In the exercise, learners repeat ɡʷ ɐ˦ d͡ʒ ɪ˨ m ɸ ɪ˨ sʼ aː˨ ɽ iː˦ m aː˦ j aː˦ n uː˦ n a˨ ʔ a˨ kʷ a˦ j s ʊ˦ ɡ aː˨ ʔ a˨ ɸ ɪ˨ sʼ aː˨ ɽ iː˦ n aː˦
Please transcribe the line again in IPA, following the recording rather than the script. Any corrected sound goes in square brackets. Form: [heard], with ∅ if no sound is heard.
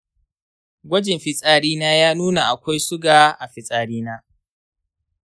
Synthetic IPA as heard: ɡʷ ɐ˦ d͡ʒ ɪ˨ m ɸ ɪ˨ sʼ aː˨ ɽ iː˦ [n] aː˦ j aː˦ n uː˦ n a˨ ʔ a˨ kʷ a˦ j s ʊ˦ ɡ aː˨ ʔ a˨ ɸ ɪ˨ sʼ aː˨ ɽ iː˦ n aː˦